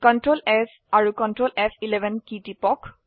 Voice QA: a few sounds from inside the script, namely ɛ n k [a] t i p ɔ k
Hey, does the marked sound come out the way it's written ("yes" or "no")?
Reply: no